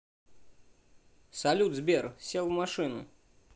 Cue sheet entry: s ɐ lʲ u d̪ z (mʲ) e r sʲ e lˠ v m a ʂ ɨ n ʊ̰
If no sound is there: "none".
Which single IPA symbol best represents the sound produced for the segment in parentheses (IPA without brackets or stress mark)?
bʲ